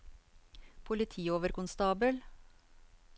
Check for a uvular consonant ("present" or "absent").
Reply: absent